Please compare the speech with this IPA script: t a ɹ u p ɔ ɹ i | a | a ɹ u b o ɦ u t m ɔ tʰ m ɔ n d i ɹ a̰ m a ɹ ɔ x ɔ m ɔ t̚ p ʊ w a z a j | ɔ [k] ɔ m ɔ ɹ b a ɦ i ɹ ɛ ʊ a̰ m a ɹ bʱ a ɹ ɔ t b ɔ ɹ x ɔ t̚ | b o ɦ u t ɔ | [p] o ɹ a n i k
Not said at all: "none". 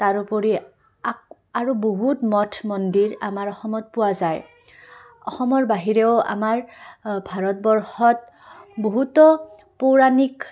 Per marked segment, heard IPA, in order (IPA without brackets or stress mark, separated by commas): x, p